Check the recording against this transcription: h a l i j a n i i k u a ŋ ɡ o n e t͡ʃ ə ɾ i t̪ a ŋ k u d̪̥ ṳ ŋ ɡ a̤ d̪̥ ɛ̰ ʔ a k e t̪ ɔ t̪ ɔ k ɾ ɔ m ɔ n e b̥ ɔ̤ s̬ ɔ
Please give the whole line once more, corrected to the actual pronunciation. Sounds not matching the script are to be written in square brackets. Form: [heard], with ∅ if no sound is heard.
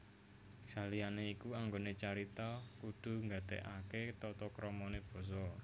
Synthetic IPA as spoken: [s] a l i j a n [e] i k u a ŋ ɡ o n e t͡ʃ [a] ɾ i t̪ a [∅] k u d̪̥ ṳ ŋ ɡ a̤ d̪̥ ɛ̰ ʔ a k e t̪ ɔ t̪ ɔ k ɾ ɔ m ɔ n e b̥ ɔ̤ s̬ ɔ